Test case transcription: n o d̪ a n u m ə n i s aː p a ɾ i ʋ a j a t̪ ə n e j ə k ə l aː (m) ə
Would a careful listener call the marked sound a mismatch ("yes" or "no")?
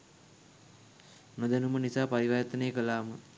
no